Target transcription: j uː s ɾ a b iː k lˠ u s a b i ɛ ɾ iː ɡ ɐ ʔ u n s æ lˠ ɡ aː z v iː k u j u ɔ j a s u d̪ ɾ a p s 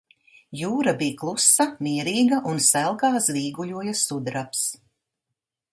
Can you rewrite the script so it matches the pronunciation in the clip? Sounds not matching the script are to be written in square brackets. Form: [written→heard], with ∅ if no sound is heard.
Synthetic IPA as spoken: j uː [s→∅] ɾ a b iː k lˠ u s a [b→m] i ɛ ɾ iː ɡ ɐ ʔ u n s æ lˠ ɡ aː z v iː [k→ɡ] u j u ɔ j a s u d̪ ɾ a p s